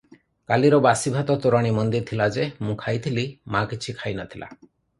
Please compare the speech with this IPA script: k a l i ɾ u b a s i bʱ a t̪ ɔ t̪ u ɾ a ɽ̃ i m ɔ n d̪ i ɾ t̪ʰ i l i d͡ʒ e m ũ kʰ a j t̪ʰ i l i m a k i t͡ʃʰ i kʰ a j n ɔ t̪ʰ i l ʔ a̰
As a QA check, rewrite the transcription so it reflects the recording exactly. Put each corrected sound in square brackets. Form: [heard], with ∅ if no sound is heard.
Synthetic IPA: k a l i ɾ [ɔ] b a s i bʱ a t̪ ɔ t̪ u ɾ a ɽ̃ i m ɔ n d̪ i ɾ t̪ʰ i l [a] d͡ʒ e m ũ kʰ a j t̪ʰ i l i m a k i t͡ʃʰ i kʰ a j n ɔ t̪ʰ i l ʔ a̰